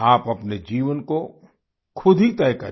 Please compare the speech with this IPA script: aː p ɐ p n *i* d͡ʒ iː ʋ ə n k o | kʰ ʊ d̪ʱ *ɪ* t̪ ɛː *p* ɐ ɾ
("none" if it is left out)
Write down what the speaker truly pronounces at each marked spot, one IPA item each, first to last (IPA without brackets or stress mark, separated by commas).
e, i, k